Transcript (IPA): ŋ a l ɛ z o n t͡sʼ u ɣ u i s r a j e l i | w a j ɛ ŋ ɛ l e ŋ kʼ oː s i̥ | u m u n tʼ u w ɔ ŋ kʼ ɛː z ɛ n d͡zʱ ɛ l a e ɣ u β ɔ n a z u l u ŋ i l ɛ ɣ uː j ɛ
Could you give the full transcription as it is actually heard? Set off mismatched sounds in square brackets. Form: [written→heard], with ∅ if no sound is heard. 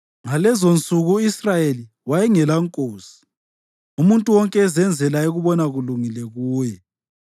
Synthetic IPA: ŋ a l ɛ z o n t͡sʼ u ɣ u i s r a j e l i | w a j ɛ ŋ ɛ l [e→a] ŋ kʼ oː s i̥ | u m u n tʼ u w ɔ ŋ kʼ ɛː z ɛ n d͡zʱ ɛ l a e ɣ u β ɔ n a [z→ɣ] u l u ŋ i l ɛ ɣ uː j ɛ